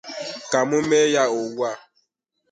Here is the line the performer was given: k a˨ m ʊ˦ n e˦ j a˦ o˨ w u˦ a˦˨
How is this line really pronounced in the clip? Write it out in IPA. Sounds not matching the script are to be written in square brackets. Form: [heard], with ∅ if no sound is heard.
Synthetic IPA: k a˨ m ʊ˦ [m] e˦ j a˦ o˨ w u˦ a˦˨